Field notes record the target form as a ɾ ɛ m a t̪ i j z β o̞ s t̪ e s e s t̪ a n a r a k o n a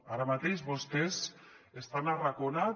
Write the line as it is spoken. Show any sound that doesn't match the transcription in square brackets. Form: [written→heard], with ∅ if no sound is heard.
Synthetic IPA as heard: a ɾ [ɛ→a] m a t̪ [i→e] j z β o̞ s t̪ e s e s t̪ a n a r a k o n a